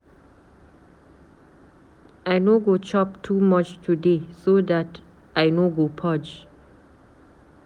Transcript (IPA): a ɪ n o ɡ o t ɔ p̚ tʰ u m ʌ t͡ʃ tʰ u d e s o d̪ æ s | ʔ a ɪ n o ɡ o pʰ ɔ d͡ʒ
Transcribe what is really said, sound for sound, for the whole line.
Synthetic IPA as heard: a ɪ n o ɡ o t͡ʃ ɔ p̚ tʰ u m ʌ t͡ʃ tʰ u d e s o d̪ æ t | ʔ a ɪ n o ɡ o pʰ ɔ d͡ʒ